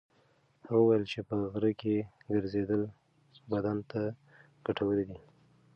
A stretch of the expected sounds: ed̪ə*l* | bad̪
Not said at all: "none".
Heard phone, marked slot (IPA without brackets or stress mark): l